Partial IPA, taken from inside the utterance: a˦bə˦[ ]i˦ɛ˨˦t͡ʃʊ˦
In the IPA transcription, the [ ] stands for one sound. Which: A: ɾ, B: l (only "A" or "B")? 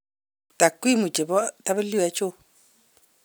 B